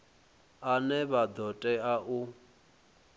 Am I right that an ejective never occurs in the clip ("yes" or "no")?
no